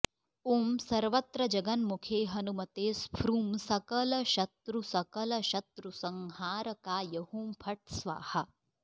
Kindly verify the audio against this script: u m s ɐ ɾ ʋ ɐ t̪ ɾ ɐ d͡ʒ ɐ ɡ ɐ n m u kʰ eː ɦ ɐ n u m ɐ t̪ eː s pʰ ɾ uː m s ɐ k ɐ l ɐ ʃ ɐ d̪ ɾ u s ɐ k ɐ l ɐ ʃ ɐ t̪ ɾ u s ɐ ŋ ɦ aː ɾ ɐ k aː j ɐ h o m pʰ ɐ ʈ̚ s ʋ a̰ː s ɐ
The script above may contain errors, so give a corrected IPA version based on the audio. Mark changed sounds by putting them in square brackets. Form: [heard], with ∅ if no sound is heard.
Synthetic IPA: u m s ɐ ɾ ʋ ɐ t̪ ɾ ɐ d͡ʒ ɐ ɡ ɐ n m u kʰ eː ɦ ɐ n u m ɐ t̪ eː s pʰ ɾ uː m s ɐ k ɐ l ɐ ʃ ɐ [t̪] ɾ u s ɐ k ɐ l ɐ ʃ ɐ t̪ ɾ u s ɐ ŋ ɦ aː ɾ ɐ k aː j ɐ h [u] m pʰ ɐ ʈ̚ s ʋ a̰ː [h] ɐ